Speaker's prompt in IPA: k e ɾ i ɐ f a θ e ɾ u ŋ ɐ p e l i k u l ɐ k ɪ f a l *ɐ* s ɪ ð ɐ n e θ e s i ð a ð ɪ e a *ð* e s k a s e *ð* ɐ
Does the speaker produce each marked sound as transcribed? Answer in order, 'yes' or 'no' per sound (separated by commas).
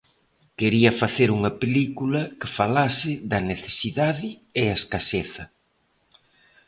no, no, no